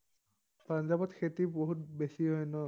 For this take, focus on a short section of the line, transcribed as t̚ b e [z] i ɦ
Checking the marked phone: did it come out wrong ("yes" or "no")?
yes